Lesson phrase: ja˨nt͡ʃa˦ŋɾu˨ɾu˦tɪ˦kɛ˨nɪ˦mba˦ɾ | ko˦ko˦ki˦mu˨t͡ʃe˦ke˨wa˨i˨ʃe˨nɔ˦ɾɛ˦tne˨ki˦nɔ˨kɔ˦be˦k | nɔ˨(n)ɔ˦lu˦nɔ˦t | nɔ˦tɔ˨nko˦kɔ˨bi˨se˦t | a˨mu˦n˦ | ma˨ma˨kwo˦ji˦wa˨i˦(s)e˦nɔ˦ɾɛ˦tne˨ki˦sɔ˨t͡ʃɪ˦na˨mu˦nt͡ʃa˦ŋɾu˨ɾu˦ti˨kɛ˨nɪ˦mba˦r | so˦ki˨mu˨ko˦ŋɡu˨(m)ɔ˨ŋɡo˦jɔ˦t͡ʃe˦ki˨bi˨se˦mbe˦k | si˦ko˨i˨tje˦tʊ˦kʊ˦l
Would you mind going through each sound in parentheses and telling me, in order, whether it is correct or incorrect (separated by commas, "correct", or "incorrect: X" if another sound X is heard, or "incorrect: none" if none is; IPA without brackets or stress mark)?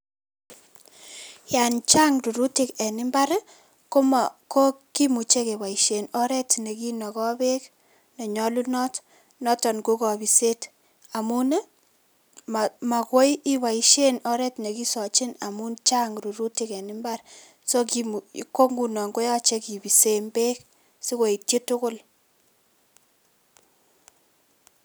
incorrect: ɲ, incorrect: ʃ, incorrect: n